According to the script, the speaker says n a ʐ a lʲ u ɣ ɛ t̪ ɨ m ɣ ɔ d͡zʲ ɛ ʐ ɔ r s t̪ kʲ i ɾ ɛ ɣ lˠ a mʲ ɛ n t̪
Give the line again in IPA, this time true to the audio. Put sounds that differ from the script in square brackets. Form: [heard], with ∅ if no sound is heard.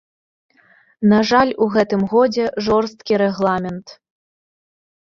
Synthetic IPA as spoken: n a ʐ a lʲ u ɣ ɛ t̪ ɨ m ɣ ɔ d͡zʲ ɛ ʐ ɔ r s t̪ kʲ i ɾ ɛ ɣ lˠ a mʲ ɛ n t̪